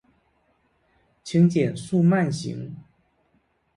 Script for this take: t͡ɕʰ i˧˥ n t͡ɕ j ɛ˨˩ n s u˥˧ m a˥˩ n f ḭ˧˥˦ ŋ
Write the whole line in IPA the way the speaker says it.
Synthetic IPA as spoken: t͡ɕʰ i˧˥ ŋ t͡ɕ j ɛ˨˩ n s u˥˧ m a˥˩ n ɕ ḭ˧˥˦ ŋ